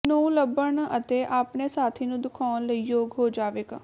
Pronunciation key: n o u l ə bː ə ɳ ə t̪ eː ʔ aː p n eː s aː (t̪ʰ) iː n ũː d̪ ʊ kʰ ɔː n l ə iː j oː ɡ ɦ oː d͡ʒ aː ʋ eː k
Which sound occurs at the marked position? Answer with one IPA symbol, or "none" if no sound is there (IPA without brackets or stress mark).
t̪ʰ